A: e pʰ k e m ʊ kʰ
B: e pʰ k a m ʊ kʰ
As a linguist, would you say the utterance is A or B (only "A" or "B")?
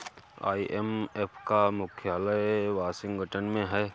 B